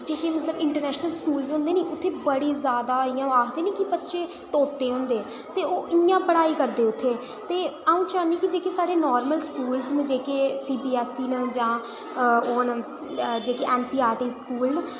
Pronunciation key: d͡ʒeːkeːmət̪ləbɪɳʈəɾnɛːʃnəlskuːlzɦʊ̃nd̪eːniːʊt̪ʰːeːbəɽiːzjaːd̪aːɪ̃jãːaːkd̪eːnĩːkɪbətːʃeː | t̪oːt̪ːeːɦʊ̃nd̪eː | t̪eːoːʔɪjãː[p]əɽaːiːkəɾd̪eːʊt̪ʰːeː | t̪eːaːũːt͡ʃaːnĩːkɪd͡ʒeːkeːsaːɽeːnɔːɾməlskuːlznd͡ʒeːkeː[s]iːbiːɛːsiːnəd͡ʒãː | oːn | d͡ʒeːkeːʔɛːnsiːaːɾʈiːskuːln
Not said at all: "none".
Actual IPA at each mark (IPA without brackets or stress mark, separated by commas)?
p, s